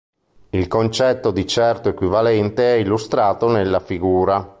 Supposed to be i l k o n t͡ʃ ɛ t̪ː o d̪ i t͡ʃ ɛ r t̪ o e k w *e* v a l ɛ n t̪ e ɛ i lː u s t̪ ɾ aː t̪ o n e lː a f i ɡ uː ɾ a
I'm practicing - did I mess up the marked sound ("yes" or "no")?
yes